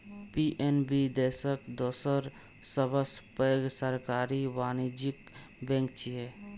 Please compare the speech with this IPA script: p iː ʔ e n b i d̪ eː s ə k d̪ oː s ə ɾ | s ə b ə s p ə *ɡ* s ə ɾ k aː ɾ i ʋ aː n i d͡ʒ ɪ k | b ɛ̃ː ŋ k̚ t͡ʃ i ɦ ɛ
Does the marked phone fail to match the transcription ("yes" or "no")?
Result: no